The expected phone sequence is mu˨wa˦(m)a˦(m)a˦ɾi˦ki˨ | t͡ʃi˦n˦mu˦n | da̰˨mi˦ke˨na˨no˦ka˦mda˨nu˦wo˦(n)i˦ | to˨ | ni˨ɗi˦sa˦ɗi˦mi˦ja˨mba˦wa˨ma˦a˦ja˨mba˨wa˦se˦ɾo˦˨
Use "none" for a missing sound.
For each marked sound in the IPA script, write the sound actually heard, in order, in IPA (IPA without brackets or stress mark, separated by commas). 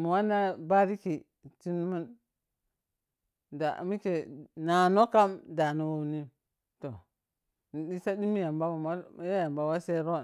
n, b, n